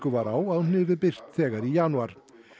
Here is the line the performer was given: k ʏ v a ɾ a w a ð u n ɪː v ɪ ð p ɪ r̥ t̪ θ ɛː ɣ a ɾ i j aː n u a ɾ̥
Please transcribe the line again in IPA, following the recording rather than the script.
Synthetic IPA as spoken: k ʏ v a ɾ a w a ð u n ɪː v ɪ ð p ɪ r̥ t̪ θ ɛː ɣ a ɾ i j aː n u a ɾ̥